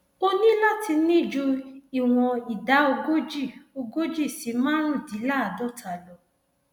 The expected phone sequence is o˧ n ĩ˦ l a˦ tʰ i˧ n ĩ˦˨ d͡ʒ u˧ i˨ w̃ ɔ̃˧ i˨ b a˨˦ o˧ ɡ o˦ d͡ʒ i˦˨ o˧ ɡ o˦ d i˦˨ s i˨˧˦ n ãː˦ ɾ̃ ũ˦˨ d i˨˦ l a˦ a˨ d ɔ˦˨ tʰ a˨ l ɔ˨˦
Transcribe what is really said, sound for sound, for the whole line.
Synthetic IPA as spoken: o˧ n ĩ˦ l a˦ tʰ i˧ n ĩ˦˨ d͡ʒ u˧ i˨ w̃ ɔ̃˧ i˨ d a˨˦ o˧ ɡ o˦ d͡ʒ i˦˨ o˧ ɡ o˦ d͡ʒ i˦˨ s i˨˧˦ m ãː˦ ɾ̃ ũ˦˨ d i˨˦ l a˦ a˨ d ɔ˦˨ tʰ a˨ l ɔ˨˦